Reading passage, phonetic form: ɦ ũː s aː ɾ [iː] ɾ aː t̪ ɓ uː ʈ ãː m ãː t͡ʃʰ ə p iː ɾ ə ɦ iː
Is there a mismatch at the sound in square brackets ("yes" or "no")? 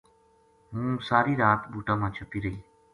no